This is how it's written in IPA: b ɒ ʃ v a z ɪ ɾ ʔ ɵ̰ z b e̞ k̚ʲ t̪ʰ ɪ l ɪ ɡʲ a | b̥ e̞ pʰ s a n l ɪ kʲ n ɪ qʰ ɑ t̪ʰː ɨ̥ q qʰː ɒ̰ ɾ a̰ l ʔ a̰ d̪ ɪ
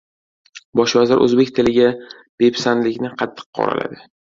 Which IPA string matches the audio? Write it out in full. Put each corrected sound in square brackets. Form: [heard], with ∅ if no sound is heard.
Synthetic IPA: b ɒ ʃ v a z ɪ ɾ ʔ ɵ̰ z b e̞ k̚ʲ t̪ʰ ɪ l ɪ ɡʲ a | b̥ e̞ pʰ s a n l ɪ kʲ n ɪ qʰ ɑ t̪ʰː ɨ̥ q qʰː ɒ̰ ɾ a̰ l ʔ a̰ d̪ ɪ